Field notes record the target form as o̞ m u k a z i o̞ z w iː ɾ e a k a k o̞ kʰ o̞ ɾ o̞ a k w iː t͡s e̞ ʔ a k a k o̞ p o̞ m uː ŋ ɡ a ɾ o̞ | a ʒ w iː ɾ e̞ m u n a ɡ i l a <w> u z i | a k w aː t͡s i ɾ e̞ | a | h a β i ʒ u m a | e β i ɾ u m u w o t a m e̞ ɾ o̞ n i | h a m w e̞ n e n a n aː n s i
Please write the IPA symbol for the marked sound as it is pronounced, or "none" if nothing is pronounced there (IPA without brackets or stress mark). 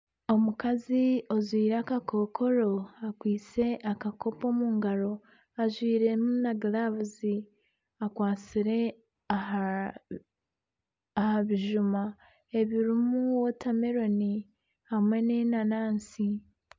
β